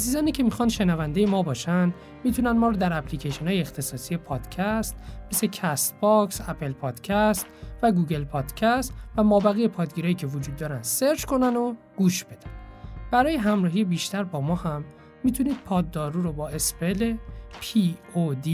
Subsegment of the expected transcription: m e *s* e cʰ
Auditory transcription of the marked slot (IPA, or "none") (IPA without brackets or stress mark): s